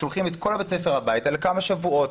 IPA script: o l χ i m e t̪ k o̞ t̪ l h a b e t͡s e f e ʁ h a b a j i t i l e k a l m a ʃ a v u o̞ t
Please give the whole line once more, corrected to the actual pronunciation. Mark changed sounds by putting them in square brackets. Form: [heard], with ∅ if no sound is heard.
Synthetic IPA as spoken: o l χ i m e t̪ k o̞ [∅] l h a b e t͡s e f e ʁ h a b a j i t [a] l e k a [∅] m a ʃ a v u o̞ t

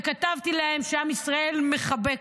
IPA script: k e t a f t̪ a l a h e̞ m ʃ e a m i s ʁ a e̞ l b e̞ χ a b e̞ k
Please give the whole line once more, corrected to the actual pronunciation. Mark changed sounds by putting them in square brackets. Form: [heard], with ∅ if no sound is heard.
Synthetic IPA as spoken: k [a] t a [v] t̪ [i] l a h e̞ m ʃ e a m i s ʁ a e̞ l [m] e̞ χ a b e̞ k

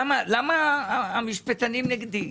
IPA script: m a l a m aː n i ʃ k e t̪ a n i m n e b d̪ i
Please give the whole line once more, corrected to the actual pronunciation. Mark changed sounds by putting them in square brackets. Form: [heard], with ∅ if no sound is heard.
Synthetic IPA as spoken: m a l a m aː [m] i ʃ [p] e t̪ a n i m n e [ɡ] d̪ i

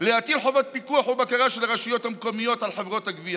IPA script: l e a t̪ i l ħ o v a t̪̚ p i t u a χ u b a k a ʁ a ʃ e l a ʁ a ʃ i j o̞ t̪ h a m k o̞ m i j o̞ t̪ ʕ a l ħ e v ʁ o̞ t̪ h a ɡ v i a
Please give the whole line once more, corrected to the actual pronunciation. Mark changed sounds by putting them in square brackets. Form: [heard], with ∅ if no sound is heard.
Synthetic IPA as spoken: l e a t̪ i l ħ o v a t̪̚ p i [k] u a [ħ] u b a k a ʁ a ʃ e l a ʁ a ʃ i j o̞ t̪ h a m k o̞ m i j o̞ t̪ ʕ a l ħ e v ʁ o̞ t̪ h a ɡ v i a

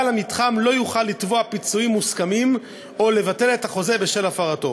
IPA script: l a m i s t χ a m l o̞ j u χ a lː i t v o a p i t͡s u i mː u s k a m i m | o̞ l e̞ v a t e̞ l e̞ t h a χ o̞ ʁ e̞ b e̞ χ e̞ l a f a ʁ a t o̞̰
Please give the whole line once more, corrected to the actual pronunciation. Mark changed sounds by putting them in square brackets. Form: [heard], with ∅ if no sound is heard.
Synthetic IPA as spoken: l a m i [∅] t χ a m l o̞ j u χ a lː i t v o a p i t͡s u i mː u s k a m i m | o̞ l e̞ v a t e̞ l e̞ t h a χ o̞ [z] e̞ b e̞ [ʃ] e̞ l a f a ʁ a t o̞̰

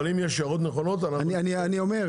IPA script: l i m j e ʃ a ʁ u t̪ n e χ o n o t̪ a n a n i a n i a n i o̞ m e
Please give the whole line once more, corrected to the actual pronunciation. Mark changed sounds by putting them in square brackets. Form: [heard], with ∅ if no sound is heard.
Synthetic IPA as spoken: l i m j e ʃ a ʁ [o] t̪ n e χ o n o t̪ a n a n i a n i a n i o̞ m e

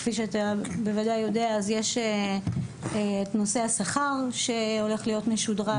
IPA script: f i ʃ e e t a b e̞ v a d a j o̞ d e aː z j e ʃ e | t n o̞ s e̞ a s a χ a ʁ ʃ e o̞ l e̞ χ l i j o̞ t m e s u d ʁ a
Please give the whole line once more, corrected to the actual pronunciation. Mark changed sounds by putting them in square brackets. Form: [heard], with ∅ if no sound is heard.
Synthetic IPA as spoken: f i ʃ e [a] t a b e̞ v a d a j o̞ d e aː z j e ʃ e | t n o̞ s e̞ a s a χ a ʁ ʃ e o̞ l e̞ χ l i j o̞ t m e [ʃ] u d ʁ a

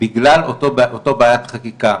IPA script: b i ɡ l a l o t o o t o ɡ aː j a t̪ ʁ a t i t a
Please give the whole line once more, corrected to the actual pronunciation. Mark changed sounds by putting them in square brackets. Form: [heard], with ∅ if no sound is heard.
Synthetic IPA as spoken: b i ɡ l a l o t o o t o [b] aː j a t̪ [χ] a [k] i [k] a

